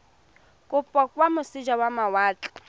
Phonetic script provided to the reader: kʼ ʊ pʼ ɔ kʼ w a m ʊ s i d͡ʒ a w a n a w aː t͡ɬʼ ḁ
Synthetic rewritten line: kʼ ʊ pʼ ɔ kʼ w a m ʊ s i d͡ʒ a w a m a w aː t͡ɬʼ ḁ